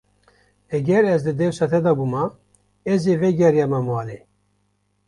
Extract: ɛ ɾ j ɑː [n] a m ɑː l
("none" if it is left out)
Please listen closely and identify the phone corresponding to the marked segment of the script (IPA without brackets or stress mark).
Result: m